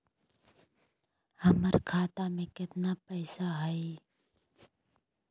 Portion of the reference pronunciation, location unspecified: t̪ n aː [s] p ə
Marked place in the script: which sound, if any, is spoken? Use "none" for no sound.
none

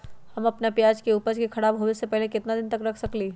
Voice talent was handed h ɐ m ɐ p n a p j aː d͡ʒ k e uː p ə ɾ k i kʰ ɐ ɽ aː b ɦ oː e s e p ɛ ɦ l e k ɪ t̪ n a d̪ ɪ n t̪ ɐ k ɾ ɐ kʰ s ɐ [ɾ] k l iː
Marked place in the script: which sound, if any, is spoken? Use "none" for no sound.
none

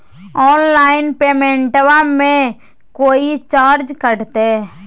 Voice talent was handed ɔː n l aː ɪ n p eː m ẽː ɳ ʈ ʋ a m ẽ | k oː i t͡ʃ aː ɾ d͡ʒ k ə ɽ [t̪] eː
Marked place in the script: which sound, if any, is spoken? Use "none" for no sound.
t̪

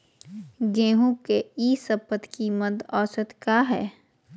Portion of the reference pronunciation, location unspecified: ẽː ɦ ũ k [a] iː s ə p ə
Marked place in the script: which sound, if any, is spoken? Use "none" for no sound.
e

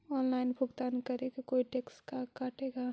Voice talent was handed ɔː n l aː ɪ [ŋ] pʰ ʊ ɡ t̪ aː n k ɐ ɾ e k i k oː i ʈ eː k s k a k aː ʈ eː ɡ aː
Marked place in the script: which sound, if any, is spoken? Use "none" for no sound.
n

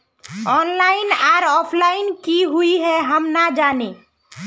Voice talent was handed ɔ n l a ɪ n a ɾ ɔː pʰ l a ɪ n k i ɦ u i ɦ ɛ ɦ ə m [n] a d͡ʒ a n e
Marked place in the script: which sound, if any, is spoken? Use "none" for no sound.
n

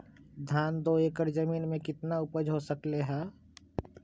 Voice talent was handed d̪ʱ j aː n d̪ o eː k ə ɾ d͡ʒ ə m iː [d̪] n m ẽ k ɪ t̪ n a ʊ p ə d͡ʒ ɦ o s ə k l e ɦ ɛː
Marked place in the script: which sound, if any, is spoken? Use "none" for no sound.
none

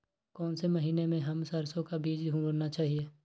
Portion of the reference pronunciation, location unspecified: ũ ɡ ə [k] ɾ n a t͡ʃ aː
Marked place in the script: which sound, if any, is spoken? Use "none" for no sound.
none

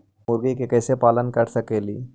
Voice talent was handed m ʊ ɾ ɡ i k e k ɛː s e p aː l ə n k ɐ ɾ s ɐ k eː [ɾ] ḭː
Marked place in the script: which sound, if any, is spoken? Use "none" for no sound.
l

